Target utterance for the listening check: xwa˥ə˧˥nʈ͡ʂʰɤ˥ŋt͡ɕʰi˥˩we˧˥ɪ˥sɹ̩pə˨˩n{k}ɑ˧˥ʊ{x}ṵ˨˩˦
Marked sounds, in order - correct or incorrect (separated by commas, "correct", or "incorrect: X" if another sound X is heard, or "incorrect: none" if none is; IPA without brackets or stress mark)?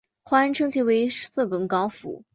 correct, incorrect: f